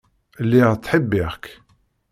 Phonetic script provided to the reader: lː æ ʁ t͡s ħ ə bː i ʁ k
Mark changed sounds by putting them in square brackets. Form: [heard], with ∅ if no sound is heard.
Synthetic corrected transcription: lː [i] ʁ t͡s ħ ə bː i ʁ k